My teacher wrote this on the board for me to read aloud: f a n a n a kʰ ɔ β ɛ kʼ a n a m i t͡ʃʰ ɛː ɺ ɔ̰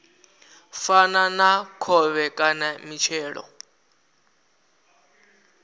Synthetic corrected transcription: f a n a n a kʰ ɔ β ɛ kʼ a n a m i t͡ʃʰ ɛː ɺ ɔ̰